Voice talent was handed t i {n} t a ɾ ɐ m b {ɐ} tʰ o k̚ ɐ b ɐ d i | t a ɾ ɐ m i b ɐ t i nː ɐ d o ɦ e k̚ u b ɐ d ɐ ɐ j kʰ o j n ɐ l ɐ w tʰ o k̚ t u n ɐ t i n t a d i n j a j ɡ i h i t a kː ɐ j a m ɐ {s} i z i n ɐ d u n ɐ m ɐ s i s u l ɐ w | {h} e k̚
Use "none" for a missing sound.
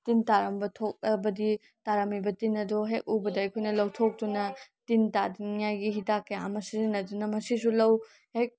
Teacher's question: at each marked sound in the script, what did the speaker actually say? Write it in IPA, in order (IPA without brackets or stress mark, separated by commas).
n, ɐ, s, h